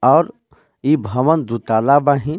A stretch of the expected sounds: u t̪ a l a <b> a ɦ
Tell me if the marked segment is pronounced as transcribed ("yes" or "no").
yes